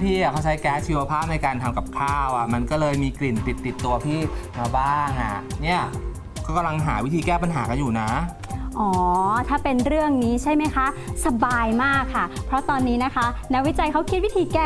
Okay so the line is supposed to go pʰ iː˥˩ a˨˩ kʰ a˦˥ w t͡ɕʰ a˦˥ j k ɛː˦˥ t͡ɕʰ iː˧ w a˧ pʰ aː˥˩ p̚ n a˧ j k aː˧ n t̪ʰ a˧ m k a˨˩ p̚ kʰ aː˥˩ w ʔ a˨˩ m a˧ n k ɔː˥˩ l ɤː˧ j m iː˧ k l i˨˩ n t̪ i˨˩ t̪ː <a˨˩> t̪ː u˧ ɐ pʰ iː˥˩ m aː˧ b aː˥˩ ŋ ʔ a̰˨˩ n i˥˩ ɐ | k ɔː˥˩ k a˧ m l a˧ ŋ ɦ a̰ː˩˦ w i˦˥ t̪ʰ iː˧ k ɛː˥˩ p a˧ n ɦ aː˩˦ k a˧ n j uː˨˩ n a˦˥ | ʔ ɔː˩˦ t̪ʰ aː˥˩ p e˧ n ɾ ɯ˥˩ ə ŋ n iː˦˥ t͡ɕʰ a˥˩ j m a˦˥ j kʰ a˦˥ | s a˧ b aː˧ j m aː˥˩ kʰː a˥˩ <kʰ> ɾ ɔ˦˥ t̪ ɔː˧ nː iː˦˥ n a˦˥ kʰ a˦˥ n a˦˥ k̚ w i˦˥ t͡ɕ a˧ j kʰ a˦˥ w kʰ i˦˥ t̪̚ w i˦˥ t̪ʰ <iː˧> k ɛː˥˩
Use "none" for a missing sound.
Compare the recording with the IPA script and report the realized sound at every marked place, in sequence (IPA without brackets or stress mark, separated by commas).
i˨˩, pʰ, iː˧